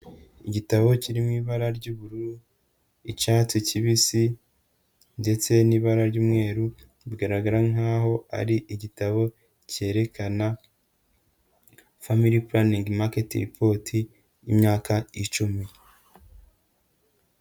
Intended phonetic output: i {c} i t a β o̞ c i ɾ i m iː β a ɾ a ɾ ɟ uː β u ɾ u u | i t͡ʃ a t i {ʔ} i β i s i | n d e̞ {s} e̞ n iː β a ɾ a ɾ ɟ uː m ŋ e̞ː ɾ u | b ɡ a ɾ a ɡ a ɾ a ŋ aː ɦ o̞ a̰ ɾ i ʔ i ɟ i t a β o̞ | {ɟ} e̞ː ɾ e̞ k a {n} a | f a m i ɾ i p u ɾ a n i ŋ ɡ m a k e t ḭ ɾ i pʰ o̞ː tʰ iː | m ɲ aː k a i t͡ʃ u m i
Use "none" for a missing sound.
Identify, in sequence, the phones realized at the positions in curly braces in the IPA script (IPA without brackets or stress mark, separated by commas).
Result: ɟ, c, t͡s, c, n